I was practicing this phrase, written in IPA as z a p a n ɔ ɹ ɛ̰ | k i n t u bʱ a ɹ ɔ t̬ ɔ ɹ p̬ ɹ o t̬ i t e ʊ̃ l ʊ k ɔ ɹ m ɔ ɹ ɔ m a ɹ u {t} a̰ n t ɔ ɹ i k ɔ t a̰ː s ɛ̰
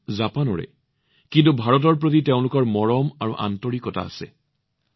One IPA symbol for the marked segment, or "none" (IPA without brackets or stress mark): ʔ